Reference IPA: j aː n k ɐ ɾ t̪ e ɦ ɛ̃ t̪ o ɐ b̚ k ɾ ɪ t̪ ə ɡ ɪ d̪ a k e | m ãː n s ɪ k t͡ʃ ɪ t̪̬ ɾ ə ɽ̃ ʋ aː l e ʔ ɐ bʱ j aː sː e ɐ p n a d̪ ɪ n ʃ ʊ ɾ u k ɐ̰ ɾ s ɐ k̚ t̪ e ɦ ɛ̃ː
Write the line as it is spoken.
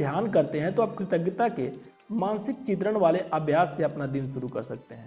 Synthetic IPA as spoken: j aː n k ɐ ɾ t̪ e ɦ ɛ̃ t̪ o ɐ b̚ k ɾ ɪ t̪ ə ɡ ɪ t̪ a k e | m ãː n s ɪ k t͡ʃ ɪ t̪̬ ɾ ə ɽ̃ ʋ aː l e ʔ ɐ bʱ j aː sː e ɐ p n a d̪ ɪ n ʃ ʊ ɾ u k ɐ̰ ɾ s ɐ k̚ t̪ e ɦ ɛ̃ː